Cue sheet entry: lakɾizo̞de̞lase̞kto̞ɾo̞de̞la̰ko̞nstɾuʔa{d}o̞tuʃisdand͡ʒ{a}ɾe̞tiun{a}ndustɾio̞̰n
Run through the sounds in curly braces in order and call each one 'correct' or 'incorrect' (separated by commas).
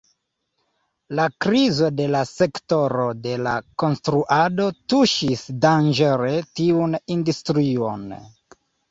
correct, incorrect, incorrect